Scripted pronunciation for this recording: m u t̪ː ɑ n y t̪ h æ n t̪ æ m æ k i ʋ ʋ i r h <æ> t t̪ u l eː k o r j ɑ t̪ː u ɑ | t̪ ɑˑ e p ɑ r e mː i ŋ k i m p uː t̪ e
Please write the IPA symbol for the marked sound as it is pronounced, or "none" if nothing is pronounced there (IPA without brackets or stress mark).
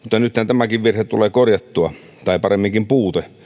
e